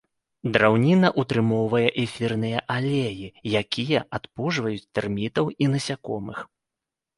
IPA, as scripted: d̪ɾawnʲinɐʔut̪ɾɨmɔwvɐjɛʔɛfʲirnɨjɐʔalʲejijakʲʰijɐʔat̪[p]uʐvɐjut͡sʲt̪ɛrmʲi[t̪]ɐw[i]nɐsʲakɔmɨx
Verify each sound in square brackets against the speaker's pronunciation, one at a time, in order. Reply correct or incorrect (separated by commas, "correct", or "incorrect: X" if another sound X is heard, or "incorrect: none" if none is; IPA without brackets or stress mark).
correct, correct, correct